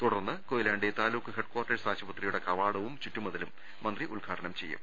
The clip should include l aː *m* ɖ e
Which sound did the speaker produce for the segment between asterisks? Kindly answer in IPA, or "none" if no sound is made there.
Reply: ɳ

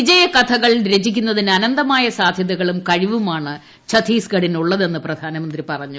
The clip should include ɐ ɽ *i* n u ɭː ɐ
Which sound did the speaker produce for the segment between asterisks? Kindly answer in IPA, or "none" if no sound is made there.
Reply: i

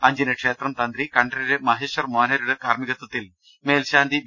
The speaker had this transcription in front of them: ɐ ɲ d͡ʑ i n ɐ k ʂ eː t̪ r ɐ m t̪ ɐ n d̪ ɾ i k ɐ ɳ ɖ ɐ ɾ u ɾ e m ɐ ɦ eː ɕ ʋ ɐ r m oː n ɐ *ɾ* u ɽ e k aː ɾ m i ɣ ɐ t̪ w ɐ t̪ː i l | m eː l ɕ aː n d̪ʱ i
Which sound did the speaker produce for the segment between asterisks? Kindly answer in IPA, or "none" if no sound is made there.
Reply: ɾ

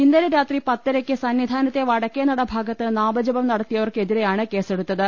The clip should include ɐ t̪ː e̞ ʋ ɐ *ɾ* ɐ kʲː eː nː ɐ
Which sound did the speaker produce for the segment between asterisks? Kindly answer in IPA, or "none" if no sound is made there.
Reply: ɽ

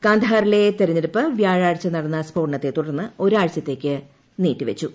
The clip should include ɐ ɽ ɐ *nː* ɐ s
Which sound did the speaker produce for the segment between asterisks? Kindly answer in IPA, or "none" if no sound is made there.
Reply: nː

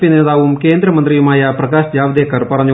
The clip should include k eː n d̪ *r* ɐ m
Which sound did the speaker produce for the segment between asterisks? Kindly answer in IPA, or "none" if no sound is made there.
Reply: ɾ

